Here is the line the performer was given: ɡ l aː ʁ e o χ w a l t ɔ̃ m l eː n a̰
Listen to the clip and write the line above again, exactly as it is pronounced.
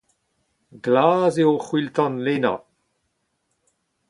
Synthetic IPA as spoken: ɡ l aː z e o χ w i l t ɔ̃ n l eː n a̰

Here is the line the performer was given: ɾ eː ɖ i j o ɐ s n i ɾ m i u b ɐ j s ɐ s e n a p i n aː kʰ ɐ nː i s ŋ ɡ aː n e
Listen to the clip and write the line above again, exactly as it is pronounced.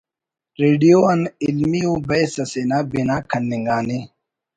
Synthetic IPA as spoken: ɾ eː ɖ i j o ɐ n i l m i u b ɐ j s ɐ s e n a b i n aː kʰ ɐ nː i ŋ ɡ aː n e

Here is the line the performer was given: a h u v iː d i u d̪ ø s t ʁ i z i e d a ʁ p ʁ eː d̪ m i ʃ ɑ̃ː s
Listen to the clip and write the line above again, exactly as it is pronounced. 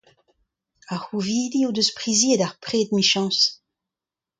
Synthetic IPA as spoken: a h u v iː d i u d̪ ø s p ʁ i z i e d a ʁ p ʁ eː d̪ m i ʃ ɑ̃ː s

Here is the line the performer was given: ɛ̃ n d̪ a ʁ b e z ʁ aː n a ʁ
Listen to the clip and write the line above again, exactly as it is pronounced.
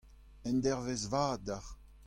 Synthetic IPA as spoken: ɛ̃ n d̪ ɛ ʁ v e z v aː d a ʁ

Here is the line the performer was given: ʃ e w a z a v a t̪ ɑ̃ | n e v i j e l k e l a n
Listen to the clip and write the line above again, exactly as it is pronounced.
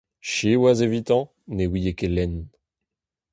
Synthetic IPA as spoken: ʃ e w a z e v i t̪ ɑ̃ | n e w i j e k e l ɛ n

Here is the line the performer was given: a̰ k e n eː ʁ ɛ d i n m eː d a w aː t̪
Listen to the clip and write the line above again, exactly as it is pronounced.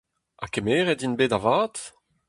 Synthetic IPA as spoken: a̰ k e m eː ʁ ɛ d i n b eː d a v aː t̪

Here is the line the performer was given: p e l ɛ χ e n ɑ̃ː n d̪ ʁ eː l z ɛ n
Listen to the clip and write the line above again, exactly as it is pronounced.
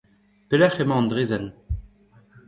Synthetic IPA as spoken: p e l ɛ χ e m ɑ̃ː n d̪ ʁ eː z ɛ n

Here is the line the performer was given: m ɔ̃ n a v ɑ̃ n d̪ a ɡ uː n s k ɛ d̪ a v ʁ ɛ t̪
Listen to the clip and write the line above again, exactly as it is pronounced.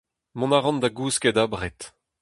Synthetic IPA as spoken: m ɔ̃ n a ʁ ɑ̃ n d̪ a ɡ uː s k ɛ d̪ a b ʁ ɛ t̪

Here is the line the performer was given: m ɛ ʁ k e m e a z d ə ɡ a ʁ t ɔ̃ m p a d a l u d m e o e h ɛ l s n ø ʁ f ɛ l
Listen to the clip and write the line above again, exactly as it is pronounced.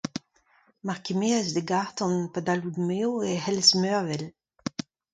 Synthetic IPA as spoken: m a ʁ k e m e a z d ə ɡ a ʁ t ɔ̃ n p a d a l u d m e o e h ɛ l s m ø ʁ v ɛ l

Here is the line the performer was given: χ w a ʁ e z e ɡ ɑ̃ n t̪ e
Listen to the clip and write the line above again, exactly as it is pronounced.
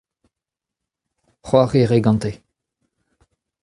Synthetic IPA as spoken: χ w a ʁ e ʁ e ɡ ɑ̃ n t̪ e

